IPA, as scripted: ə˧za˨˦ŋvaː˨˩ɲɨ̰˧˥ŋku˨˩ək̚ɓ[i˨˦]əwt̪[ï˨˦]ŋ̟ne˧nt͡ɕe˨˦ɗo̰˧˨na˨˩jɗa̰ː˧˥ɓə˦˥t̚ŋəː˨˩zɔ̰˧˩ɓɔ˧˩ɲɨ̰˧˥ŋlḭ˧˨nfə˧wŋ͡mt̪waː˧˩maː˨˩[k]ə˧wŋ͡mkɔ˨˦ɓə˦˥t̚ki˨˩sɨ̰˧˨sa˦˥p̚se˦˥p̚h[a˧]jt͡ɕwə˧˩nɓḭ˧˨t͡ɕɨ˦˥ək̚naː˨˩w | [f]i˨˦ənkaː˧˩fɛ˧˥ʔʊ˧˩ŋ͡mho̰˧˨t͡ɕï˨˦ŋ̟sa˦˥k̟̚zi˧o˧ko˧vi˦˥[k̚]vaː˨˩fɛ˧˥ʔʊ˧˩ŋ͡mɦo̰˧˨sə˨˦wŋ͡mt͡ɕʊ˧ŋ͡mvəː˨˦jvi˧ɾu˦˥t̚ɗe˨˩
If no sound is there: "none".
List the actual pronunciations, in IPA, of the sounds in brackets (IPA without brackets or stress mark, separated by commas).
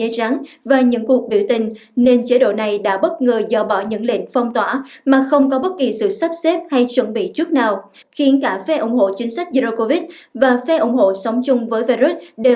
i˧˩, ï˨˩, x, a˧, x, t̚